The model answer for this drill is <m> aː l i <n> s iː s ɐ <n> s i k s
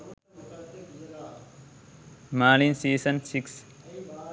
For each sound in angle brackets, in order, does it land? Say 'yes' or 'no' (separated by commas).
yes, yes, yes